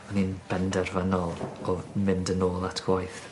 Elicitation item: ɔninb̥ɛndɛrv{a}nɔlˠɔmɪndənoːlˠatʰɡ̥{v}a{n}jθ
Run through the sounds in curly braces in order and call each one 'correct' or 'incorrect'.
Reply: correct, incorrect: w, incorrect: none

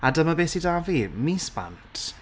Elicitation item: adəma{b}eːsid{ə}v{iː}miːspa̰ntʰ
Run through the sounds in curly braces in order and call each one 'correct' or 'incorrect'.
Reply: correct, incorrect: a, incorrect: i

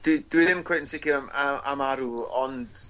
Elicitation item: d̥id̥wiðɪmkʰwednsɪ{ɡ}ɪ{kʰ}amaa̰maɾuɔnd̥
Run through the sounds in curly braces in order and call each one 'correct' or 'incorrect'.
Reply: incorrect: k, incorrect: none

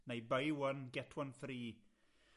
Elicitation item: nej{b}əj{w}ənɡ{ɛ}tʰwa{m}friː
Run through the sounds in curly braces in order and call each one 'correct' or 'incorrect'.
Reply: correct, correct, correct, incorrect: n

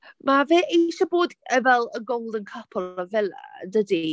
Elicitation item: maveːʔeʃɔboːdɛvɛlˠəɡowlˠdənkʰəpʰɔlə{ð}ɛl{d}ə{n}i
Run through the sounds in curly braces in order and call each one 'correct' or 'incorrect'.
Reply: incorrect: v, correct, incorrect: d

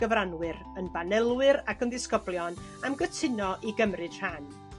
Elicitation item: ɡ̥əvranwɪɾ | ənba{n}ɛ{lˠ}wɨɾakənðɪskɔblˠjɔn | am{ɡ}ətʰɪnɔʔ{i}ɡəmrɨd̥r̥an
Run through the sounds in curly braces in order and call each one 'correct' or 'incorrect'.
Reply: correct, correct, correct, correct

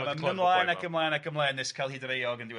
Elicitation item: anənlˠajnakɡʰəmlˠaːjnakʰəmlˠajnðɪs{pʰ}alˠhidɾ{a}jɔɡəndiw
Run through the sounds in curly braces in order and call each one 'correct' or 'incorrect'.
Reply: incorrect: kʰ, incorrect: e

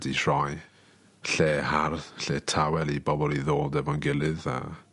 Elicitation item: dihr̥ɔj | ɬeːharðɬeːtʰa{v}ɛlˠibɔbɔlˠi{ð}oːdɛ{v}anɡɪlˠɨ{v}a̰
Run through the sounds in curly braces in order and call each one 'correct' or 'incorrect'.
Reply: incorrect: w, correct, correct, incorrect: ð

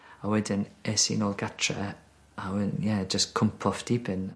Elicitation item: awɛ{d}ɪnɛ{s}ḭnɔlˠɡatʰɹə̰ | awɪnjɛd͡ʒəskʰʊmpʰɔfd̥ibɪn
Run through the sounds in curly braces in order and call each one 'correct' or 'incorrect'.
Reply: correct, correct

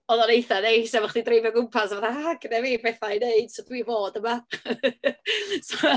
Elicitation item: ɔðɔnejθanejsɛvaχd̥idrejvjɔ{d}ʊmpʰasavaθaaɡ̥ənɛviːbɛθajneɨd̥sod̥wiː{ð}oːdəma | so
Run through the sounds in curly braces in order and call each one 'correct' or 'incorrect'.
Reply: incorrect: ɡ, incorrect: v

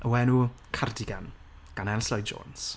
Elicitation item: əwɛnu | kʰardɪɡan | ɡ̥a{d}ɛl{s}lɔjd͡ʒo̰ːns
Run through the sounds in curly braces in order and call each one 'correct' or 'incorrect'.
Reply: incorrect: n, correct

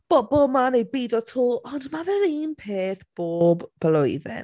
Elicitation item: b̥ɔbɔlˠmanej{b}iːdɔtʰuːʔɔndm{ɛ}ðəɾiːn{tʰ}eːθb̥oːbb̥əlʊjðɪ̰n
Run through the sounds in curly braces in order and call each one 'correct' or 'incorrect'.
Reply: correct, incorrect: a, incorrect: pʰ

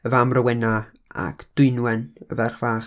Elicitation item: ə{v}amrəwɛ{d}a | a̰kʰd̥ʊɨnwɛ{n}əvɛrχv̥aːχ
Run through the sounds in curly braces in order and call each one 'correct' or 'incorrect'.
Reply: correct, incorrect: n, correct

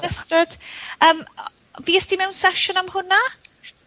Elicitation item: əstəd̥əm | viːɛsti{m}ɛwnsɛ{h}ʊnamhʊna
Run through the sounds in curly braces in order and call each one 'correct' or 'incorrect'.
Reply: correct, incorrect: ʃ

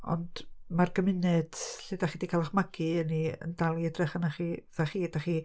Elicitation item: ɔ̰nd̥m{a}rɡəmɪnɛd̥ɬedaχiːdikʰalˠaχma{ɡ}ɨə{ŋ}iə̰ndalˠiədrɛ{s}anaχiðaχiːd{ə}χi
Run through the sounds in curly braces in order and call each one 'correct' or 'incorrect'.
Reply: correct, correct, incorrect: n, incorrect: χ, incorrect: a

